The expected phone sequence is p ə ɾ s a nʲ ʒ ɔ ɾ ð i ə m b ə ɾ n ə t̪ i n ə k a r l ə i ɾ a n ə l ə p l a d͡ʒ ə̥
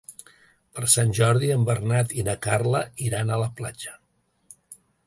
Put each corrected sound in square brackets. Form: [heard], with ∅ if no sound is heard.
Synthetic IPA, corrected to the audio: p ə ɾ s a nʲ ʒ ɔ ɾ ð i ə m b ə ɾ n [a] t̪ i n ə k a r l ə i ɾ a n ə l ə p l a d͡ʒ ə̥